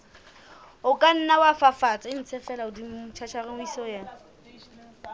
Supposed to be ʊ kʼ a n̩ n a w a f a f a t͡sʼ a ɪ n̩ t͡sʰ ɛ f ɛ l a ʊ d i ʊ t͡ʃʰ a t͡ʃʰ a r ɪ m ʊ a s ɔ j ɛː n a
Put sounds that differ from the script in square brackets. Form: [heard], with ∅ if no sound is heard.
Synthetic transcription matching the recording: ʊ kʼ a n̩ n a w a f a f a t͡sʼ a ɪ n̩ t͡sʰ ɛ f ɛ l a ʊ d i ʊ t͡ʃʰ a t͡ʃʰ a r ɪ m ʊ [i] s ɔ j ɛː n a